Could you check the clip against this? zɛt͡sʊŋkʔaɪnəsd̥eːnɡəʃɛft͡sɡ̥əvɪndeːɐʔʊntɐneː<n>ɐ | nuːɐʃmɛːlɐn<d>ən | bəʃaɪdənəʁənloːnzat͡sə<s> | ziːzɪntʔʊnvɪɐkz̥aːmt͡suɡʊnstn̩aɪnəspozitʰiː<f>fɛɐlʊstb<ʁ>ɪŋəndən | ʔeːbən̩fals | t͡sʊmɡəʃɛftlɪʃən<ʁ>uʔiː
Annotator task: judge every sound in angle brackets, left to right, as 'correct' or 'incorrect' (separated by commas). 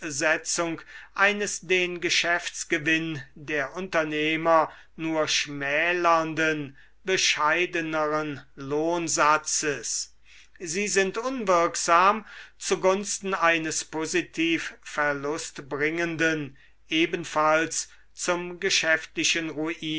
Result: incorrect, correct, correct, correct, correct, correct